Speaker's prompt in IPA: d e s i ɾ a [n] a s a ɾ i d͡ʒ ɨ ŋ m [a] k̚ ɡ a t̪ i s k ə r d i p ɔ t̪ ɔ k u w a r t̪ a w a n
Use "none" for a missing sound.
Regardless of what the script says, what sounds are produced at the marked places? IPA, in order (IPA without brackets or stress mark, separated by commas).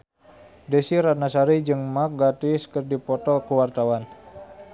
n, a